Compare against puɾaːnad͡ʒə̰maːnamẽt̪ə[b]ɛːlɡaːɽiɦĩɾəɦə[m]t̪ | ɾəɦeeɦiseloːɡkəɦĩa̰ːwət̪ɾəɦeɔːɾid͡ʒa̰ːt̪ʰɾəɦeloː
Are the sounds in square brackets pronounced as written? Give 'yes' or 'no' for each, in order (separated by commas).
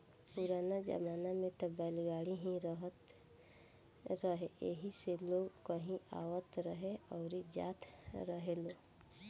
yes, no